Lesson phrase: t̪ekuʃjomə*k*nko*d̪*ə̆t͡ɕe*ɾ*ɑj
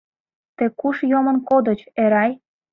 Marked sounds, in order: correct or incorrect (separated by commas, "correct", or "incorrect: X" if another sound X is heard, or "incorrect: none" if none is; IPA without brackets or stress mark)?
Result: incorrect: none, correct, correct